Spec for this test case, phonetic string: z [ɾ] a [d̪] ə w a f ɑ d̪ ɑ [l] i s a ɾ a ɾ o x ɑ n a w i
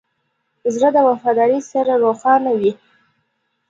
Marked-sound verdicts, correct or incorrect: correct, correct, incorrect: ɾ

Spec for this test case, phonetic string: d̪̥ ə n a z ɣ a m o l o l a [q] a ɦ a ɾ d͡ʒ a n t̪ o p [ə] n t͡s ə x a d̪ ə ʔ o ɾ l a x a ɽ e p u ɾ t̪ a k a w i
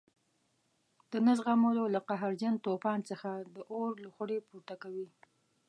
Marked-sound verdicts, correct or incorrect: correct, incorrect: ɑ

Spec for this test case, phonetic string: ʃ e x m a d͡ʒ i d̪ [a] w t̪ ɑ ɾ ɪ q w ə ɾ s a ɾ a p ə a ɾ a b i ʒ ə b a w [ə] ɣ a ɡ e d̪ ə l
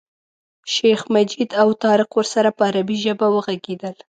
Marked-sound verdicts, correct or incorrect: correct, correct

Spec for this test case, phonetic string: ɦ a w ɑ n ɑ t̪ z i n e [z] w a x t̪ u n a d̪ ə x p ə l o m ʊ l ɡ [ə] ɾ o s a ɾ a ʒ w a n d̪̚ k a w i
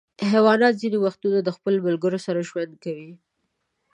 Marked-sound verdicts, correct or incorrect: incorrect: none, correct

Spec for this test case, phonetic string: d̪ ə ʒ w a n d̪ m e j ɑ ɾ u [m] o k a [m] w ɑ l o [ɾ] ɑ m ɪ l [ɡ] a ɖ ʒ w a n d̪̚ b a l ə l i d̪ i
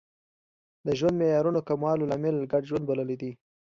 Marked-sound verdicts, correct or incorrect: incorrect: n, correct, incorrect: l, correct

